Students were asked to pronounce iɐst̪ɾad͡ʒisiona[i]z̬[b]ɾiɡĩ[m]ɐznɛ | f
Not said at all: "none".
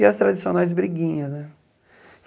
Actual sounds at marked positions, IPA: j, b, ɲ

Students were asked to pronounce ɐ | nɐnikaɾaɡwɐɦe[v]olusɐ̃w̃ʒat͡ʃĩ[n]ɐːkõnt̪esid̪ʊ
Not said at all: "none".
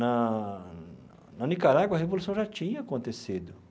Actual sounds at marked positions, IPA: v, ɲ

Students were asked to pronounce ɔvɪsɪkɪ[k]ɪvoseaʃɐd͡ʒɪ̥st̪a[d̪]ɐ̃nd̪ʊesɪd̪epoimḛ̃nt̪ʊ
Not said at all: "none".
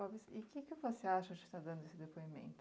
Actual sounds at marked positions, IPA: k, d̪

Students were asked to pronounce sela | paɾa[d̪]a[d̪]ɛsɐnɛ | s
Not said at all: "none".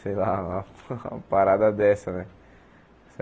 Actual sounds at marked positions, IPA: d̪, d̪

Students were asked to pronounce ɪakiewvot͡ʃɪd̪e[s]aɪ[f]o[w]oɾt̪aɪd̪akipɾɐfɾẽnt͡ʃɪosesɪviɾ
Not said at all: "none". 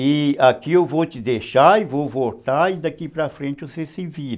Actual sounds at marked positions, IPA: ʃ, v, v

